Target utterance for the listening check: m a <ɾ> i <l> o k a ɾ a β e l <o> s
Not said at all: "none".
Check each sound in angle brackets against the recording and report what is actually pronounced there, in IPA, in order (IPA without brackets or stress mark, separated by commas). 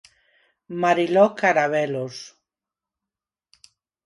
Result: ɾ, l, o